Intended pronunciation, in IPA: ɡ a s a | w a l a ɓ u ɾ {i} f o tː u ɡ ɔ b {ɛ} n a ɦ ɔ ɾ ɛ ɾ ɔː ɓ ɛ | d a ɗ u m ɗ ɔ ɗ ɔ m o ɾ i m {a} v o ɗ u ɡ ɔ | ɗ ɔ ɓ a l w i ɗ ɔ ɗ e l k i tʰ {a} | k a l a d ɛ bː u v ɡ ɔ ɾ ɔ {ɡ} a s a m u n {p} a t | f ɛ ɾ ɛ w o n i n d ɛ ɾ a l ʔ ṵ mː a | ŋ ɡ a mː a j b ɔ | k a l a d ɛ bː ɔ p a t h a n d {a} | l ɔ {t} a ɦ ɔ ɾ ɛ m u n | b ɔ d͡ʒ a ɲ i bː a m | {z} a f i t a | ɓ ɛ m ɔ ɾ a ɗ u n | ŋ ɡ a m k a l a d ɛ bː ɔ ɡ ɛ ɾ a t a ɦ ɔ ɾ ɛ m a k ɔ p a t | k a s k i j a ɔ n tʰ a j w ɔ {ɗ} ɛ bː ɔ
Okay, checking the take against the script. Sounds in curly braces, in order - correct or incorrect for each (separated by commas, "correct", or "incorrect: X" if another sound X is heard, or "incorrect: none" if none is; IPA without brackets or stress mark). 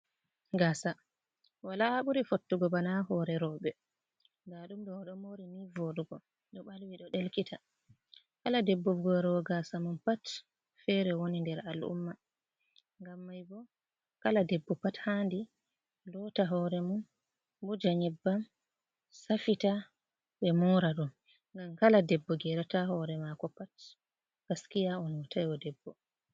correct, incorrect: a, incorrect: i, correct, correct, correct, incorrect: i, correct, incorrect: s, incorrect: d